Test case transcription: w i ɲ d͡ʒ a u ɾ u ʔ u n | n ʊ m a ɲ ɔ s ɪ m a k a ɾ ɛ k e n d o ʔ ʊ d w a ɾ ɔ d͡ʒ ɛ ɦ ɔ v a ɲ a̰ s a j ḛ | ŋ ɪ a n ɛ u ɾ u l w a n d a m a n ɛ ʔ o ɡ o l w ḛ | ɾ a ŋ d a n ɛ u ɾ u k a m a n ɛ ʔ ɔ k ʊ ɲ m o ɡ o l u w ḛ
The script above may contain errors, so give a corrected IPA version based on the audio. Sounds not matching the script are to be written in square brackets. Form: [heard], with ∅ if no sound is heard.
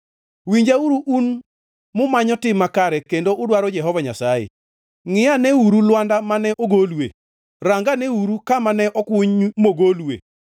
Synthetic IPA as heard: w i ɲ d͡ʒ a u ɾ u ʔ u n | [m] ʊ m a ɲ ɔ [t] ɪ m a k a ɾ ɛ k e n d o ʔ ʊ d w a ɾ ɔ d͡ʒ ɛ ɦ ɔ v a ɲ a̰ s a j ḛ | ŋ ɪ a n ɛ u ɾ u l w a n d a m a n ɛ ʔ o ɡ o l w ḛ | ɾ a ŋ [ɡ] a n ɛ u ɾ u k a m a n ɛ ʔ ɔ k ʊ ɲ m o ɡ o l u w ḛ